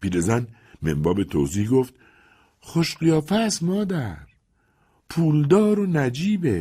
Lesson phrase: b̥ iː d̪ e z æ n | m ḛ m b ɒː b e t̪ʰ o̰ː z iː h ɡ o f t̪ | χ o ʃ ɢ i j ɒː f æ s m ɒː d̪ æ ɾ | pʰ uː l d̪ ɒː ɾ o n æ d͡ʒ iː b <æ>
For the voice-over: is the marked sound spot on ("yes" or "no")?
no